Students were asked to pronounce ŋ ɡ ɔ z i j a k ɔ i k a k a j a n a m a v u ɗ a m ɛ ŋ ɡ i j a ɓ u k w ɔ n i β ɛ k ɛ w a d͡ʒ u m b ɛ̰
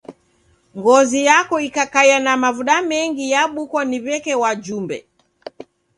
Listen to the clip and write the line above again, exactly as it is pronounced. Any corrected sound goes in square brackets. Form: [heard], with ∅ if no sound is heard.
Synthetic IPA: ŋ ɡ ɔ z i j a k ɔ i k a k a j a n a m a v u ɗ a m ɛ ŋ ɡ i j a ɓ u k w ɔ n i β ɛ k ɛ w a d͡ʒ u m b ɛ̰

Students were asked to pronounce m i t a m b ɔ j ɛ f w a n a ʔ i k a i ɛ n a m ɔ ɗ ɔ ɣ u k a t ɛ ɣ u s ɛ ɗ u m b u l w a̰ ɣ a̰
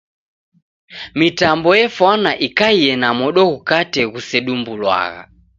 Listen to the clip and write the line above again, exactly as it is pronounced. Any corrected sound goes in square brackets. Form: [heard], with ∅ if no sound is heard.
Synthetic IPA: m i t a m b ɔ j ɛ f w a n a ʔ i k a i ɛ n a m ɔ ɗ ɔ ɣ u k a t ɛ ɣ u s ɛ ɗ u m b u l w a̰ ɣ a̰

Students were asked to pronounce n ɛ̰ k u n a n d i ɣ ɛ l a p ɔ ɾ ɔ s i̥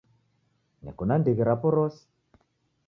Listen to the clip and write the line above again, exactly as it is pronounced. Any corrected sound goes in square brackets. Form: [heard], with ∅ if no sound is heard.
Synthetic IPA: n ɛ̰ k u n a n d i ɣ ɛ [ɾ] a p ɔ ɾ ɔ s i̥

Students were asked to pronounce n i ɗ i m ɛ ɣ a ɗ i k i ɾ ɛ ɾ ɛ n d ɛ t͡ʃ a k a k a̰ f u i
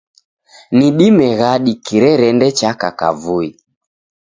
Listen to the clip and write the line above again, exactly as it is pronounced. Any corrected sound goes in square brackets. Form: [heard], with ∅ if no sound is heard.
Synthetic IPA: n i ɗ i m ɛ ɣ a ɗ i k i ɾ ɛ ɾ ɛ n d ɛ t͡ʃ a k a k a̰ [v] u i

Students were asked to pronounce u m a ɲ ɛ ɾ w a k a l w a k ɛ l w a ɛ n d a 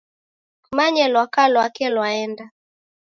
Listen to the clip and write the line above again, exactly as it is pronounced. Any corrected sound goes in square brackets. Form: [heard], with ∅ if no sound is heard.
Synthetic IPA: u m a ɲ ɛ [l] w a k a l w a k ɛ l w a ɛ n d a

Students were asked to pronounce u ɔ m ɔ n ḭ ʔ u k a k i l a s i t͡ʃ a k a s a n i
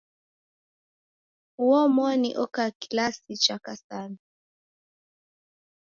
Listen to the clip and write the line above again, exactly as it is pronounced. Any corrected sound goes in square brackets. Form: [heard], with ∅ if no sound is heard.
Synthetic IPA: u ɔ m ɔ n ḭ ʔ [ɔ] k a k i l a s i t͡ʃ a k a s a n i

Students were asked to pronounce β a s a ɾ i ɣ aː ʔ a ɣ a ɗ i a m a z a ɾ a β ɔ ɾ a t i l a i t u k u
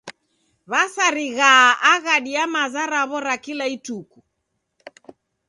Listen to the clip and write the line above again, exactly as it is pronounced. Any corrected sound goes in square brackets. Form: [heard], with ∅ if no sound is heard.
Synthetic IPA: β a s a ɾ i ɣ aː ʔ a ɣ a ɗ i a m a z a ɾ a β ɔ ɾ a [k] i l a i t u k u

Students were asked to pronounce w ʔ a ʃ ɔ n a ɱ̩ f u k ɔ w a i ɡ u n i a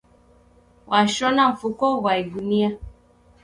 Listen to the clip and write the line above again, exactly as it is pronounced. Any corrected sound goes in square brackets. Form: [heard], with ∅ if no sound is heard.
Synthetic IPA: w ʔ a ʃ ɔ n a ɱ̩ f u k ɔ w a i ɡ u n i a

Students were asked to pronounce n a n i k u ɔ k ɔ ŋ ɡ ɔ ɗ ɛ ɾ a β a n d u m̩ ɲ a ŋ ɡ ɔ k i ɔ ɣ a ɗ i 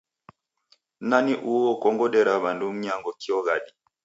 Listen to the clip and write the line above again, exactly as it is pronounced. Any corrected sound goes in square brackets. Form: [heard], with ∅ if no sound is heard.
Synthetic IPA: n a n i [ʔ] u ɔ k ɔ ŋ ɡ ɔ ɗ ɛ ɾ a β a n d u m̩ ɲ a ŋ ɡ ɔ k i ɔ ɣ a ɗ i

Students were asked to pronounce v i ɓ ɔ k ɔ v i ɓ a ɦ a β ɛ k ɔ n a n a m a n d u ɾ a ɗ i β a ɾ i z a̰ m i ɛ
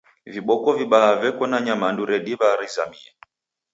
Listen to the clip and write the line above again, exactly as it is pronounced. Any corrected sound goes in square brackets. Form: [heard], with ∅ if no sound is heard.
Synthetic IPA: v i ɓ ɔ k ɔ v i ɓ a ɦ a [v] ɛ k ɔ n a [ɲ] a m a n d u ɾ [ɛ] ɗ i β a ɾ i z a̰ m i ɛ

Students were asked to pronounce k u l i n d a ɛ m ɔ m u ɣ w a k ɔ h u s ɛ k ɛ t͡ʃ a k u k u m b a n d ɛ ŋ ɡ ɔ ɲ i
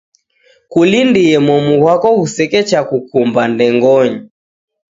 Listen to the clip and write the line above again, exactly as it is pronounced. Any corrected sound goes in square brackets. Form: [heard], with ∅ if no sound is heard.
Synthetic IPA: k u l i n d [i] ɛ m ɔ m u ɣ w a k ɔ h u s ɛ k ɛ t͡ʃ a k u k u m b a n d ɛ ŋ ɡ ɔ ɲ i

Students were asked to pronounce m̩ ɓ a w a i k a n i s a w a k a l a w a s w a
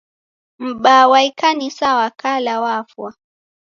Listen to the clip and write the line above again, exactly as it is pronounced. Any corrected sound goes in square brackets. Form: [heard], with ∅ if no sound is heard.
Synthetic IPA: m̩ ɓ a w a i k a n i s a w a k a l a w a [f] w a

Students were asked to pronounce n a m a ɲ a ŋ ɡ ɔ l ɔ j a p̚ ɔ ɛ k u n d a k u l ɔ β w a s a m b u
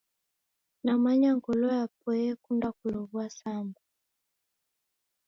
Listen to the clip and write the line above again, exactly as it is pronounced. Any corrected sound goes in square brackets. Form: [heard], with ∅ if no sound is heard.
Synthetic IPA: n a m a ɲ a ŋ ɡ ɔ l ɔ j a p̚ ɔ ɛ k u n d a k u l ɔ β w a s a m b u

